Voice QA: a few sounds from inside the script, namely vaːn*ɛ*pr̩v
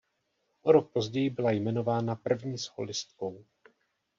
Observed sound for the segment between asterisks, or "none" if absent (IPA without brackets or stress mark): a